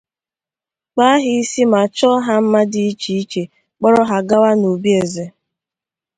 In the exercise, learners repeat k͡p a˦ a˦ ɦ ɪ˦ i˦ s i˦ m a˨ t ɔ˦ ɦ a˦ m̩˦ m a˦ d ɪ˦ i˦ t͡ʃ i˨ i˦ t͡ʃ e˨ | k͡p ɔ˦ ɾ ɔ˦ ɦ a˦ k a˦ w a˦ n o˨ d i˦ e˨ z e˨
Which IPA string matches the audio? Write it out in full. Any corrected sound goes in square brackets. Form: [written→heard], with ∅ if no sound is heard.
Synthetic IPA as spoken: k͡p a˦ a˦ ɦ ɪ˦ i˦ s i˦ m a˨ [t→t͡ʃ] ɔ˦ ɦ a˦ m̩˦ m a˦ d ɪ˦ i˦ t͡ʃ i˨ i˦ t͡ʃ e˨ | k͡p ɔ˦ ɾ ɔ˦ ɦ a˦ [k→ɡ] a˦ w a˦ n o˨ [d→b] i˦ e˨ z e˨

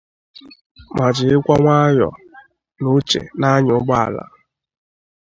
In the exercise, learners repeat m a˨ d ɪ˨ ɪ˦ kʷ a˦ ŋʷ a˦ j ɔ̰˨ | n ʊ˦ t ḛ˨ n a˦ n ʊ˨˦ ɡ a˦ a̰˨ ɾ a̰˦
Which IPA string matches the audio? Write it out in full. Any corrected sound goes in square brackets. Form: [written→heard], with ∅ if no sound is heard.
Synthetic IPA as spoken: m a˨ [d→d͡ʒ] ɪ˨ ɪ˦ kʷ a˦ ŋʷ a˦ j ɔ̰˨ | n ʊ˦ [t→t͡ʃ] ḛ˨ n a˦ [n→ɲ] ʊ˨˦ [ɡ→ɡ͡b] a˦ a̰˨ [ɾ→l] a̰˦

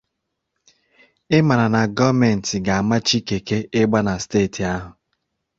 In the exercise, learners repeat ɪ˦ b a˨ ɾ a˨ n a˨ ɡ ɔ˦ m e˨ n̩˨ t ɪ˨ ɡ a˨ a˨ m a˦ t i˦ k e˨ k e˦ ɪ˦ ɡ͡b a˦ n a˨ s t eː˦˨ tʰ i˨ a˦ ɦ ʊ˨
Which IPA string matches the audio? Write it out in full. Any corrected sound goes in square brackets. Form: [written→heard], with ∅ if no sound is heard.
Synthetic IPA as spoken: ɪ˦ [b→m] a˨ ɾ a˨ n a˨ ɡ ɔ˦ m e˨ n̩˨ t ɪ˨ ɡ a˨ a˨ m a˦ [t→t͡ʃ] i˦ k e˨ k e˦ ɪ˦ ɡ͡b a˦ n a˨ s t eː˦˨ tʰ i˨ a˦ ɦ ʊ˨

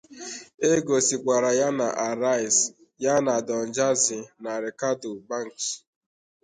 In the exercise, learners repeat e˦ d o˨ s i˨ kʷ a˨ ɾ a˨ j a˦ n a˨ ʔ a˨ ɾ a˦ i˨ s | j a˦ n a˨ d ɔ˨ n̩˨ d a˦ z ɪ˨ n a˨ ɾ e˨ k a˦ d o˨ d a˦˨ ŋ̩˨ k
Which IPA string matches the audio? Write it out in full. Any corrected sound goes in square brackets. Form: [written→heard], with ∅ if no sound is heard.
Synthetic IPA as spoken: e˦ [d→ɡ] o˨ s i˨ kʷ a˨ ɾ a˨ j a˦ n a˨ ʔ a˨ ɾ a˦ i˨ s | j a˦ n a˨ d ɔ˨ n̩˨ [d→d͡ʒ] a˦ z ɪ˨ n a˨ ɾ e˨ k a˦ d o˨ [d→b] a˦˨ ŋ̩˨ k

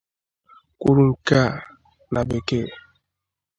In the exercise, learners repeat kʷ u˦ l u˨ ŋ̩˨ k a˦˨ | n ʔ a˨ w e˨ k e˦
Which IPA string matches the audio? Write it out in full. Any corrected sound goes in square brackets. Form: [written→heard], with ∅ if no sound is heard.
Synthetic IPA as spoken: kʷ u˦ [l→ɾ] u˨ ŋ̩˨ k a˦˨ | n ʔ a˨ [w→b] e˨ k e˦

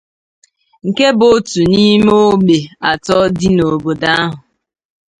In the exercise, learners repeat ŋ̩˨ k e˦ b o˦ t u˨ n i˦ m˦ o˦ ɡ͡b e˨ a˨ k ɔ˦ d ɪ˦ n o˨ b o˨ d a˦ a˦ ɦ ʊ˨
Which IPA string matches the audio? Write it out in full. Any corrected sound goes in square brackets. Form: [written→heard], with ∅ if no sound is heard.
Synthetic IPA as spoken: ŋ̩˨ k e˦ b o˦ t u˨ n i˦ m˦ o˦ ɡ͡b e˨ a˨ [k→t] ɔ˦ d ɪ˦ n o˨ b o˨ d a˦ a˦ ɦ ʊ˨

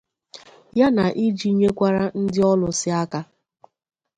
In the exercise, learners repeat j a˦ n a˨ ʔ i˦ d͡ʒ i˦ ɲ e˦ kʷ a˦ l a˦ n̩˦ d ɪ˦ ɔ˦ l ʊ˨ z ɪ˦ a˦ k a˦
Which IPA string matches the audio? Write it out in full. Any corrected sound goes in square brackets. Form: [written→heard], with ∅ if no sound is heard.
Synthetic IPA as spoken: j a˦ n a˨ ʔ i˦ d͡ʒ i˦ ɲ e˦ kʷ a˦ [l→ɾ] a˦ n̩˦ d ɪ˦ ɔ˦ l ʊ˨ [z→s] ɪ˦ a˦ k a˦

